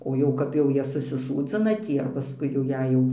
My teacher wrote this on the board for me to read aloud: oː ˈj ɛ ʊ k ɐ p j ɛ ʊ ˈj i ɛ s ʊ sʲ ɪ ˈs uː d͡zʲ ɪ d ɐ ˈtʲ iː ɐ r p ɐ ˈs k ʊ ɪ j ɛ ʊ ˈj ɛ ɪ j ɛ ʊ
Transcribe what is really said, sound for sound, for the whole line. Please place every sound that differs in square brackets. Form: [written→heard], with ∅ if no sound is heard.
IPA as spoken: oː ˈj ɛ ʊ k ɐ p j ɛ ʊ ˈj i ɛ s ʊ sʲ ɪ ˈs uː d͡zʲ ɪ [d→n] ɐ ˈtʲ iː ɐ r p ɐ ˈs k ʊ ɪ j ɛ ʊ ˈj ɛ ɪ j ɛ ʊ